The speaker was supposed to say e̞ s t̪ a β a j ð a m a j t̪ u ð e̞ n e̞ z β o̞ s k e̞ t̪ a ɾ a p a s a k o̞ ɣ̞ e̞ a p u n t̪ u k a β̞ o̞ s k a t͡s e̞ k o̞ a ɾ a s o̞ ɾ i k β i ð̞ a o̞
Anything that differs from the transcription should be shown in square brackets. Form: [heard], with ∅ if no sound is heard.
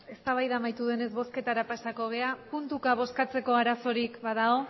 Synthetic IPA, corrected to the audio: e̞ s t̪ a β a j ð a m a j t̪ u ð e̞ n e̞ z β o̞ s k e̞ t̪ a ɾ a p a s a k o̞ ɣ̞ e̞ a p u n t̪ u k a β̞ o̞ s k a t͡s e̞ k o̞ a ɾ a s o̞ ɾ i k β [a] ð̞ a o̞